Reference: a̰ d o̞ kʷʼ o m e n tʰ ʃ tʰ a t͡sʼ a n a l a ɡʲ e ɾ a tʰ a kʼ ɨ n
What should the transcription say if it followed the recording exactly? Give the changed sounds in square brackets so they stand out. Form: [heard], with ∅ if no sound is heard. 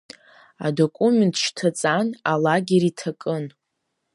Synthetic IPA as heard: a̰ d o̞ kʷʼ [u] m e n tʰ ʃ tʰ a t͡sʼ a n a l a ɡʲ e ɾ [i] tʰ a kʼ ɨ n